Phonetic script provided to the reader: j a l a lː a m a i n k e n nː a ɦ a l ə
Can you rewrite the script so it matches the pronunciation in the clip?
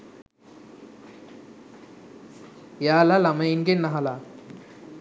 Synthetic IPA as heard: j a l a l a m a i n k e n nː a ɦ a l a